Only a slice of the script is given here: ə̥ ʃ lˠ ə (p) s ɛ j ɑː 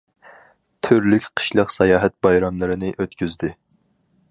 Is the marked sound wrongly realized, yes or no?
yes